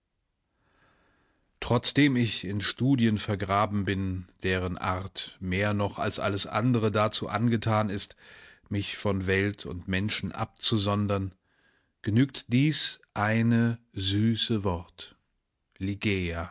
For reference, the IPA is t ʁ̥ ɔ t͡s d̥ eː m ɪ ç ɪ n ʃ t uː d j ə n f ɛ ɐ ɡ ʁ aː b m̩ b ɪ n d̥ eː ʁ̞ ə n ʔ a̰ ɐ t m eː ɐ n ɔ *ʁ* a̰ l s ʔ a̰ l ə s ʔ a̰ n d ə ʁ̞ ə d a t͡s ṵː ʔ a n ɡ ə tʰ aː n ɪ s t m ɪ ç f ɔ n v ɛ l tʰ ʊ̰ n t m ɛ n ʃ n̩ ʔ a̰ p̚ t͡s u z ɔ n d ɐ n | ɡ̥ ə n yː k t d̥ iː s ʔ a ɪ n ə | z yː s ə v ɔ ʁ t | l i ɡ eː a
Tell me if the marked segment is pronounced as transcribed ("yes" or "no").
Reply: no